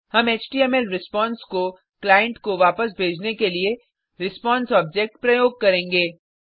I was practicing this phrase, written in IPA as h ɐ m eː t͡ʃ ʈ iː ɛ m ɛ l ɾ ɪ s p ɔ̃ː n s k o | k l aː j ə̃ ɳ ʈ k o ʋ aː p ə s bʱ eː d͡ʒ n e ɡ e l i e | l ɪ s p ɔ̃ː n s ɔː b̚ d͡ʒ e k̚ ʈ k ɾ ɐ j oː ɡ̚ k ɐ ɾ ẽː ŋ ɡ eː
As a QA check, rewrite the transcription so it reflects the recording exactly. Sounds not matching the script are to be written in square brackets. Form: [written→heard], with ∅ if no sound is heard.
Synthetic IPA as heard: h ɐ m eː t͡ʃ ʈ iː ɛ m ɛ l ɾ ɪ s p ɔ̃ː n s k o | k l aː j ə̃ ɳ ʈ k o ʋ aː p ə s bʱ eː d͡ʒ n e [ɡ→k] e l i e | [l→ɾ] ɪ s p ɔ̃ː n s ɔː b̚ d͡ʒ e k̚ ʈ [k→p] ɾ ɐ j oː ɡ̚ k ɐ ɾ ẽː ŋ ɡ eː